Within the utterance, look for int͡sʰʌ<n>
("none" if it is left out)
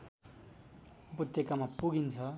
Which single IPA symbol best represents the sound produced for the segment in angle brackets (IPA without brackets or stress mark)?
none